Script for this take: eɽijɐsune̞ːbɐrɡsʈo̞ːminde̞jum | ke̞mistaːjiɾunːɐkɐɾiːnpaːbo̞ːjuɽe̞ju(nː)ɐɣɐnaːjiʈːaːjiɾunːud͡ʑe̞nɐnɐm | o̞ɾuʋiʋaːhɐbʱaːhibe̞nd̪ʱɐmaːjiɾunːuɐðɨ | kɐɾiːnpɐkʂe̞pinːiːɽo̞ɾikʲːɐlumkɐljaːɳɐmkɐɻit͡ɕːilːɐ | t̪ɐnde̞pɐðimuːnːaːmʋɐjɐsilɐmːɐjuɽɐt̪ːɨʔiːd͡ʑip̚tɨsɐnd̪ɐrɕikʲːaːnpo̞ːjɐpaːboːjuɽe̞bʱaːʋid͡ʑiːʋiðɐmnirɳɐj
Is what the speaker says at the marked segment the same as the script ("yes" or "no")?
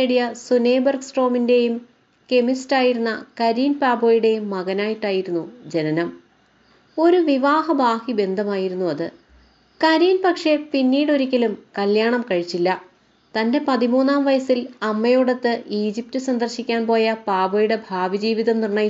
no